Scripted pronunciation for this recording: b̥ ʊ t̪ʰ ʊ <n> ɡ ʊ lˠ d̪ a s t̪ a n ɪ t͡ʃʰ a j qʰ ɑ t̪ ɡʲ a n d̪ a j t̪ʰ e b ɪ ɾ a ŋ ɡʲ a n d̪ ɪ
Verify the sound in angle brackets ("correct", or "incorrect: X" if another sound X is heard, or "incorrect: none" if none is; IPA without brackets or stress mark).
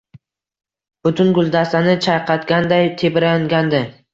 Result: correct